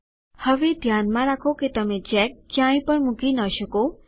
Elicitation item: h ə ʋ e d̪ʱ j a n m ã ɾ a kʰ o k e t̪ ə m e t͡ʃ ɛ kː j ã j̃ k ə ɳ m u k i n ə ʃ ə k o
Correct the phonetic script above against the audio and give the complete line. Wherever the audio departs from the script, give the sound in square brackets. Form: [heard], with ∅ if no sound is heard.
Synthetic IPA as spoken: h ə ʋ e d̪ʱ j a n m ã ɾ a kʰ o k e t̪ ə m e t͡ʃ ɛ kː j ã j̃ [p] ə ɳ m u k i n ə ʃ ə k o